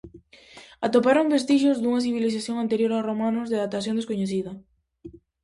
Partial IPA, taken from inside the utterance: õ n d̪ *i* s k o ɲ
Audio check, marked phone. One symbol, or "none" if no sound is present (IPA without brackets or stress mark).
e